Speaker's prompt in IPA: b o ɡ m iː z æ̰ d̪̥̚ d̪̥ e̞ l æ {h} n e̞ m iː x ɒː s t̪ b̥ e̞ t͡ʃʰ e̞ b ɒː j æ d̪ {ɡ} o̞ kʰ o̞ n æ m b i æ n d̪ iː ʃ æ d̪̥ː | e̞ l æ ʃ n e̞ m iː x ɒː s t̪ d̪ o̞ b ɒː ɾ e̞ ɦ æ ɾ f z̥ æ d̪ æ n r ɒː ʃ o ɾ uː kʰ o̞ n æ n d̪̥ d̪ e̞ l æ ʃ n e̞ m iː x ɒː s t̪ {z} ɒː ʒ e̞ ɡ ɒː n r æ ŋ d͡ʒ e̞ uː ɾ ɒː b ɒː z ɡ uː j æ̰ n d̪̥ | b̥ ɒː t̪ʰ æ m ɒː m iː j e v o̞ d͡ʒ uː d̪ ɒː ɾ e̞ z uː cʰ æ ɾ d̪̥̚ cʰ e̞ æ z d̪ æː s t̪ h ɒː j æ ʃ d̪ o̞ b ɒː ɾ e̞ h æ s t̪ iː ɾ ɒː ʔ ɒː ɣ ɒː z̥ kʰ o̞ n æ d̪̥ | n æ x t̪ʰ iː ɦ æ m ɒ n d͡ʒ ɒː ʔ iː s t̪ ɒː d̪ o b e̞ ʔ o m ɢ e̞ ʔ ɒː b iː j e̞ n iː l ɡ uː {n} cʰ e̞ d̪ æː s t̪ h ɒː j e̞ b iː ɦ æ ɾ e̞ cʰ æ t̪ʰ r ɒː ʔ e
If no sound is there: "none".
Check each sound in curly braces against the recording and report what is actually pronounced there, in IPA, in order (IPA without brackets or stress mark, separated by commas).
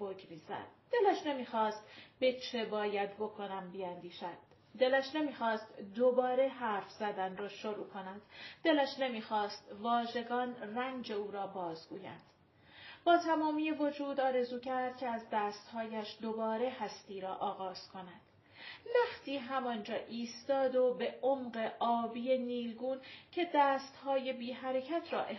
ʃ, b, v, n